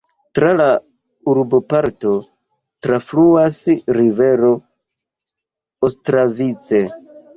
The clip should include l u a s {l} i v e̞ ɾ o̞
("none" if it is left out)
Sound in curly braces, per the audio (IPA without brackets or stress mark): ɾ